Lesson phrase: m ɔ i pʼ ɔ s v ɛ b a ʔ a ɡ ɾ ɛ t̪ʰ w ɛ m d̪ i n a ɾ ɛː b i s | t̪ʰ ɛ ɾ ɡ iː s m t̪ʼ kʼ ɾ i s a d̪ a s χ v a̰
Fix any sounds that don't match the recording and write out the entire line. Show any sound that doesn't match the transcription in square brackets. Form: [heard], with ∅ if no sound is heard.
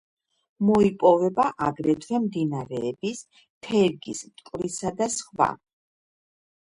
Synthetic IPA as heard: m ɔ i pʼ ɔ [∅] v ɛ b a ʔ a ɡ ɾ ɛ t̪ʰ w ɛ m d̪ i n a ɾ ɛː b i s | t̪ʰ ɛ ɾ ɡ [i] s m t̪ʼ kʼ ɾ i s a d̪ a s χ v a̰

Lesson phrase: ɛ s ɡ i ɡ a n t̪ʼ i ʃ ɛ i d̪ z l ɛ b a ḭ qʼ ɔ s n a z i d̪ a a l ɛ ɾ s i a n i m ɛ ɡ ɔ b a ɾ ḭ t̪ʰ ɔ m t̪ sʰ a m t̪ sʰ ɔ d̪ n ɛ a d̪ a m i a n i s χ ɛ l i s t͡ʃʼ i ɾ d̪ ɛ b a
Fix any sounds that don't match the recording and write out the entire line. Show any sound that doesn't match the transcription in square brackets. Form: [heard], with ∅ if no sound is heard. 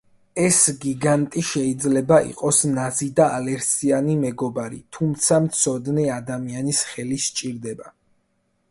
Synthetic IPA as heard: ɛ s ɡ i ɡ a n t̪ʼ i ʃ ɛ i d̪ z l ɛ b a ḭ qʼ ɔ s n a z i d̪ a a l ɛ ɾ s i a n i m ɛ ɡ ɔ b a ɾ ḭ t̪ʰ [u] m t̪ sʰ a m t̪ sʰ ɔ d̪ n ɛ a d̪ a m i a n i s χ ɛ l i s t͡ʃʼ i ɾ d̪ ɛ b a

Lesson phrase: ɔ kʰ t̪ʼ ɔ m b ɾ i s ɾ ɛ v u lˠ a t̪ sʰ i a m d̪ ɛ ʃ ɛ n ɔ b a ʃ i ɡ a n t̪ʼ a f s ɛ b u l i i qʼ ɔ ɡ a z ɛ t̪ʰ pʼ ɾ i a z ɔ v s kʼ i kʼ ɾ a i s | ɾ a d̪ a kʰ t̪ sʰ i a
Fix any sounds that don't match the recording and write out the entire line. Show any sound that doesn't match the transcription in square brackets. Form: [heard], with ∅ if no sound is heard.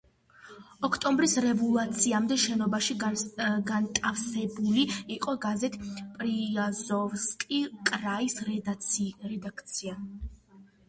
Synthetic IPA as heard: ɔ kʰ t̪ʼ ɔ m b ɾ i s ɾ ɛ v u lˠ a t̪ sʰ i a m d̪ ɛ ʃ ɛ n ɔ b a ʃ i ɡ a n t̪ʼ a f s ɛ b u l i i qʼ ɔ ɡ a z ɛ t̪ʰ pʼ ɾ i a z ɔ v s kʼ i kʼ ɾ a i s | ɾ [ɛ] d̪ a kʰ t̪ sʰ i a

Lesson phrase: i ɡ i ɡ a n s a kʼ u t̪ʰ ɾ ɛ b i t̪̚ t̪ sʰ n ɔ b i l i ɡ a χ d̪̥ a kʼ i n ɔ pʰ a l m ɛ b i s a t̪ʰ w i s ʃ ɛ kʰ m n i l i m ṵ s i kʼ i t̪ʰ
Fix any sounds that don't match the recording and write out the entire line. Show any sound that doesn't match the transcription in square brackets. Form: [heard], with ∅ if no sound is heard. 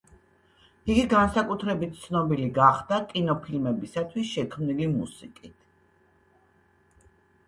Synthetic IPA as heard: i ɡ i ɡ a n s a kʼ u t̪ʰ ɾ ɛ b i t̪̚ t̪ sʰ n ɔ b i l i ɡ a χ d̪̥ a kʼ i n ɔ pʰ [i] l m ɛ b i s a t̪ʰ w i s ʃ ɛ kʰ m n i l i m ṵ s i kʼ i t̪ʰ

